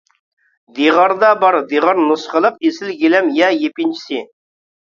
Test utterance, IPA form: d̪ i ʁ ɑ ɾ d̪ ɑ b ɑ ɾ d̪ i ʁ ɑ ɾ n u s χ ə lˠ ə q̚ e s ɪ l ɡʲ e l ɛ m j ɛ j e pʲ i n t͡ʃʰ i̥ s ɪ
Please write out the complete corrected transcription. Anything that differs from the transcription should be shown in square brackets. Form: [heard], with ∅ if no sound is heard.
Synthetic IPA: d̪ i ʁ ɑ ɾ d̪ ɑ b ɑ ɾ d̪ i ʁ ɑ ɾ n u s χ ə lˠ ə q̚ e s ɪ l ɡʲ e l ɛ m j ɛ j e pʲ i n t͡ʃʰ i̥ s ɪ